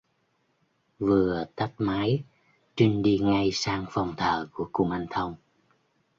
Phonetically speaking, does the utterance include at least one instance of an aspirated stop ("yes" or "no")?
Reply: yes